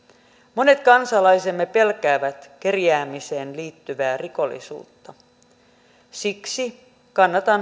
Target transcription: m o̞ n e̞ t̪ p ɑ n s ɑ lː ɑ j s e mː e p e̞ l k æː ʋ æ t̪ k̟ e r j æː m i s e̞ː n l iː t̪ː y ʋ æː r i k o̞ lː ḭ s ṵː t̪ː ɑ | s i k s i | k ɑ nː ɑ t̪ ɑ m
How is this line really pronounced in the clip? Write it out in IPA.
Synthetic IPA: m o̞ n e̞ t̪ k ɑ n s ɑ l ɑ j s e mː e p e̞ l k æː ʋ æ t̪ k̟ e r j æː m i s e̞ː n l iː t̪ː y ʋ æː r i k o̞ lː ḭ s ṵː t̪ː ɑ | s i k s i | k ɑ nː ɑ t̪ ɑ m